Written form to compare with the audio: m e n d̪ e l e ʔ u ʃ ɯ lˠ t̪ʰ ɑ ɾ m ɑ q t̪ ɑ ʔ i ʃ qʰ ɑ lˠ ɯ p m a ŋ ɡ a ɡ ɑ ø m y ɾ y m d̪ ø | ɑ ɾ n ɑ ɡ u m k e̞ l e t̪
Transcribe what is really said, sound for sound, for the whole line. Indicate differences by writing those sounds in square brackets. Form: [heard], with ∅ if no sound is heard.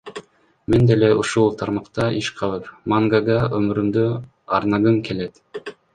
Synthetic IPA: m e n d̪ e l e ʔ u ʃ [u] lˠ t̪ʰ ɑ ɾ m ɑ q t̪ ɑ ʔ i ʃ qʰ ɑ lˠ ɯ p m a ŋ ɡ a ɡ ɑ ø m y ɾ y m d̪ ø | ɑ ɾ n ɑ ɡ [ɯ] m k e̞ l e t̪